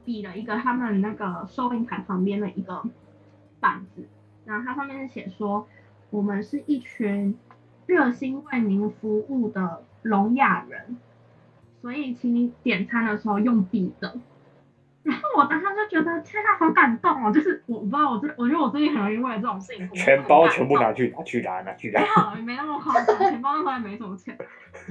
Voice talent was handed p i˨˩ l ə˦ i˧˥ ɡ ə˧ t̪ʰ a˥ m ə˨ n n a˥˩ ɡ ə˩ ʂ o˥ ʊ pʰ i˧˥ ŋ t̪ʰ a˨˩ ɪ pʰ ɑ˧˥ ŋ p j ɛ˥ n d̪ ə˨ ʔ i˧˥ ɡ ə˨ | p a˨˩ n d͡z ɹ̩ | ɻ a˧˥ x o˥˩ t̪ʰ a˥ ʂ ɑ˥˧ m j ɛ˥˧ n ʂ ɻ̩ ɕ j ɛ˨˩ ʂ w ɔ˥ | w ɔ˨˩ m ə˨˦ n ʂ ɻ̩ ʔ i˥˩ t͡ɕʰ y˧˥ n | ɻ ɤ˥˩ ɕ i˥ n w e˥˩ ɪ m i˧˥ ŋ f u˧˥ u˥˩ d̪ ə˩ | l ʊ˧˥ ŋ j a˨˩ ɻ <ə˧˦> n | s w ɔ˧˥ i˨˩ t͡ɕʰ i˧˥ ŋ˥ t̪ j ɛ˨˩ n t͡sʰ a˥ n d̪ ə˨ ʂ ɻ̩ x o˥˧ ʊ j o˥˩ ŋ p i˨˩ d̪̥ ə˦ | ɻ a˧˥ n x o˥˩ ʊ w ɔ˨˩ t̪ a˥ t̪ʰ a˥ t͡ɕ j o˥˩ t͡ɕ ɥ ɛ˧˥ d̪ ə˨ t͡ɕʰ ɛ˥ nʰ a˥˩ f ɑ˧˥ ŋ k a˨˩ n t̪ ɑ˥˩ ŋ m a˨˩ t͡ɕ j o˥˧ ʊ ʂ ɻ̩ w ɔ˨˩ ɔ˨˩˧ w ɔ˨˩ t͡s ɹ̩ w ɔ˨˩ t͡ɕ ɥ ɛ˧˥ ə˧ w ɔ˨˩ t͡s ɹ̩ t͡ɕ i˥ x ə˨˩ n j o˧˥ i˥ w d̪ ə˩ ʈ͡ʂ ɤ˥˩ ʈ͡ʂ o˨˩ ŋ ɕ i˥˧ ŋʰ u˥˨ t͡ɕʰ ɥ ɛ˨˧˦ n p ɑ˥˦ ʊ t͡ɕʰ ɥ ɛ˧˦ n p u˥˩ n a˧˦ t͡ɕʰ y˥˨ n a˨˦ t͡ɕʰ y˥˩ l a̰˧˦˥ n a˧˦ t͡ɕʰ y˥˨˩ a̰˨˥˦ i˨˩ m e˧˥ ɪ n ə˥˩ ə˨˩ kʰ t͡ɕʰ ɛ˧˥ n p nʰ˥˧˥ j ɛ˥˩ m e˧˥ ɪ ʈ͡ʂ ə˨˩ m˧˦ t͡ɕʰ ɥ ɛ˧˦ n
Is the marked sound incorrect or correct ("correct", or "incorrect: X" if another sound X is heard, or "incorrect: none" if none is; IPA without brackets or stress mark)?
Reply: correct